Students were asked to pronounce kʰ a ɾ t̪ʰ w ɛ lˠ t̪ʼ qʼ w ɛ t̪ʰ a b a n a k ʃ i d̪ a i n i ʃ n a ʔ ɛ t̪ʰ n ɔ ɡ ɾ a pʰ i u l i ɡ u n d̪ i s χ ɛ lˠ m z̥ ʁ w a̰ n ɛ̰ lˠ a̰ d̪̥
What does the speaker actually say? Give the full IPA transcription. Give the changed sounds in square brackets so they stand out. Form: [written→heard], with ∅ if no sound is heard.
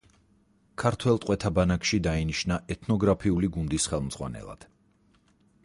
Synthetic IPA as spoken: kʰ a ɾ t̪ʰ w ɛ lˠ t̪ʼ qʼ w ɛ t̪ʰ a b a n a k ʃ i d̪ a i n i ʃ n a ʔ ɛ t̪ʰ n ɔ ɡ ɾ a pʰ i u l i ɡ u n d̪ i s χ ɛ lˠ m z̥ ʁ w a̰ n ɛ̰ lˠ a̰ d̪̥